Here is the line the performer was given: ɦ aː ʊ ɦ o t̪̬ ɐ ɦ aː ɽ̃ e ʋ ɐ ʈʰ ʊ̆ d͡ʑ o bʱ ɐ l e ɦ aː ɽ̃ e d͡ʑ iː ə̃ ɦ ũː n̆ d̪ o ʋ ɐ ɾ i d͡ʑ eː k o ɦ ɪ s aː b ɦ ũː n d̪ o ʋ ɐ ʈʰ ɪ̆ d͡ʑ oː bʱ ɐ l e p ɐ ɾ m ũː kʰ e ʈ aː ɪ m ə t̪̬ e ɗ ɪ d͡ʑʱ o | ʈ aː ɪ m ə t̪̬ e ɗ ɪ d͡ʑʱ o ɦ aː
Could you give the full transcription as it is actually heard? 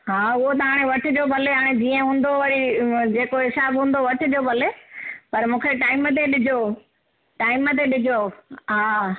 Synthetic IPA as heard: ɦ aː ʊ ɦ o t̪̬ ɐ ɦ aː ɽ̃ e ʋ ɐ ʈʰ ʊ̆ d͡ʑ o bʱ ɐ l e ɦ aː ɽ̃ e d͡ʑ iː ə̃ ɦ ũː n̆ d̪ o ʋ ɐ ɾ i d͡ʑ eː k o ɦ ɪ s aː b ɦ ũː n d̪ o ʋ ɐ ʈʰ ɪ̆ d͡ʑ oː bʱ ɐ l e p ɐ ɾ m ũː kʰ e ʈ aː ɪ m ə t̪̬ e ɗ ɪ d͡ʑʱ o | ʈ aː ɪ m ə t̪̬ e ɗ ɪ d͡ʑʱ o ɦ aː